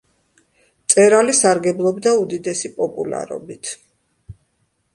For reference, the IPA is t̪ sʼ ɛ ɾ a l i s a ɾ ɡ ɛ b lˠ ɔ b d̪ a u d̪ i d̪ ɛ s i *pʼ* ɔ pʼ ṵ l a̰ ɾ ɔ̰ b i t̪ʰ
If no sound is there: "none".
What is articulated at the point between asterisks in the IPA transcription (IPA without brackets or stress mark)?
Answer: pʼ